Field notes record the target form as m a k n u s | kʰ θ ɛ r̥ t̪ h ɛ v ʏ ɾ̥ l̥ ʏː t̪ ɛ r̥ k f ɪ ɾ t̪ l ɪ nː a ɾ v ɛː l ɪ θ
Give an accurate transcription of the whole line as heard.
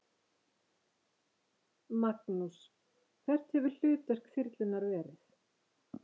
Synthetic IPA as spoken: m a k n u s | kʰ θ ɛ r̥ t̪ h ɛ v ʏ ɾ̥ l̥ ʏː t̪ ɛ r̥ k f ɪ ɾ t̪ l ɪ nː a ɾ v ɛː ɾ ɪ θ